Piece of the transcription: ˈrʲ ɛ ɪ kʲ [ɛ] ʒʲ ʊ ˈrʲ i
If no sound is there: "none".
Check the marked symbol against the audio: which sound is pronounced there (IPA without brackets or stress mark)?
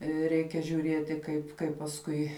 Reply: ɛ